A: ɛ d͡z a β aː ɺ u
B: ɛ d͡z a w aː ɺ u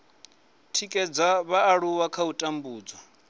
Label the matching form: A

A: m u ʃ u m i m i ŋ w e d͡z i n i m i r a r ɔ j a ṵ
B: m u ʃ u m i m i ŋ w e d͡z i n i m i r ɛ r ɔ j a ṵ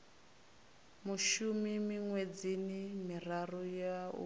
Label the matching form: A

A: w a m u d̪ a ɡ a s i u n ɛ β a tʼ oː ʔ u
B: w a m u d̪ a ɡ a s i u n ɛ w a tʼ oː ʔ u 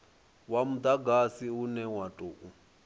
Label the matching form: B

